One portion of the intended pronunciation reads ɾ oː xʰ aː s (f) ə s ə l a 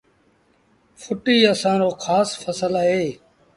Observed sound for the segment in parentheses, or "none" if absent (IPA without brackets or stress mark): f